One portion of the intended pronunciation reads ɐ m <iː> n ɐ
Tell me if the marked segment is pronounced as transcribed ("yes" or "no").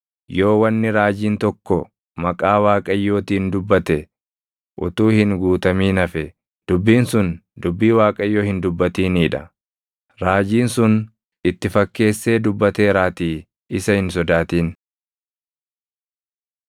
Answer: yes